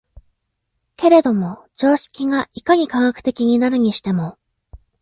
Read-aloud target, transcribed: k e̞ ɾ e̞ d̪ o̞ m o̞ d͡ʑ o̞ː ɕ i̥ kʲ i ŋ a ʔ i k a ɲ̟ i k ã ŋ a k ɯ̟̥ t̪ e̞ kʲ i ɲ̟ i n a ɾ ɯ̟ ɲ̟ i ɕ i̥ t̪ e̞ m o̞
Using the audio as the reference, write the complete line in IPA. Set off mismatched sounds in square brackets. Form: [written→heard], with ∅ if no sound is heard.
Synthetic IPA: k e̞ ɾ e̞ d̪ o̞ m o̞ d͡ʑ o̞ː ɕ i̥ kʲ i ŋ a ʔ i k a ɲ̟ i k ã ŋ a k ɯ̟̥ t̪ e̞ kʲ i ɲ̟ i n a ɾ ɯ̟ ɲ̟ i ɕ i̥ t̪ e̞ m o̞